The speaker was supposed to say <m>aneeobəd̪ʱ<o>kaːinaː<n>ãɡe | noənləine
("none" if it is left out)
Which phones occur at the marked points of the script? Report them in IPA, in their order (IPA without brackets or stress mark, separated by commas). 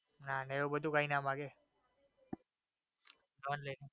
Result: n, u, m